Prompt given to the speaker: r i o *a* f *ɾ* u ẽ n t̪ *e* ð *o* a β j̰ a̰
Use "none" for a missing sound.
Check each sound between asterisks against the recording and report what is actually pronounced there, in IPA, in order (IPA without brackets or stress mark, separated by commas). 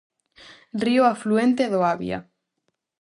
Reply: a, l, e, o